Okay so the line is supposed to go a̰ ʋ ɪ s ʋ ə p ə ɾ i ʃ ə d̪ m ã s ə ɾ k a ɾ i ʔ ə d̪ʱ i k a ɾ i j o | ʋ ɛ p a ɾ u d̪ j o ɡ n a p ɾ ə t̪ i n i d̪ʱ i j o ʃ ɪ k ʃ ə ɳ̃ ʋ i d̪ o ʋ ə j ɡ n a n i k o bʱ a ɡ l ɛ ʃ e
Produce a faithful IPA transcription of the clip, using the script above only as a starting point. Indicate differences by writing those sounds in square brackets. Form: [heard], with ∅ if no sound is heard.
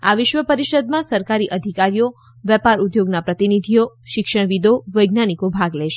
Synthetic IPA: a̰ ʋ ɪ [ʃ] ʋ ə p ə ɾ i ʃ ə d̪ m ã s ə ɾ k a ɾ i ʔ ə d̪ʱ i k a ɾ i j o | ʋ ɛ p a ɾ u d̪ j o ɡ n a p ɾ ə t̪ i n i d̪ʱ i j o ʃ ɪ k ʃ ə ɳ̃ ʋ i d̪ o ʋ ə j ɡ n a n i k o bʱ a ɡ l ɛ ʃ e